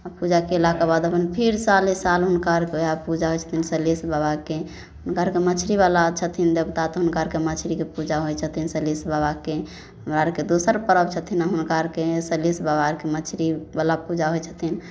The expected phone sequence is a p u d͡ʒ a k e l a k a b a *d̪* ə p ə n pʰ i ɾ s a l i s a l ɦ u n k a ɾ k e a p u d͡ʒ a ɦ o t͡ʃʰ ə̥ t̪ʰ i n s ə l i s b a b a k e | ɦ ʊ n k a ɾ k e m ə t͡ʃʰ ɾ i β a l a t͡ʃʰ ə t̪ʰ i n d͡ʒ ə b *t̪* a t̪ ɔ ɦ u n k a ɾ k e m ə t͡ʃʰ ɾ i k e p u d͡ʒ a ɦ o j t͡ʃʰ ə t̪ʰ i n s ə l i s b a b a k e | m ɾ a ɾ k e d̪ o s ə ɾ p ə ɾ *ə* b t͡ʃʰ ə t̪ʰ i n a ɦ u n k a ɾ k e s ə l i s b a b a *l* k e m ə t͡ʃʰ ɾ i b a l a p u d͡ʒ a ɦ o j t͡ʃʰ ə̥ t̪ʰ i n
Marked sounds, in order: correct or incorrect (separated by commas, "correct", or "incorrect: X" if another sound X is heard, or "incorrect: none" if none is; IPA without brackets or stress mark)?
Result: correct, correct, correct, incorrect: ɾ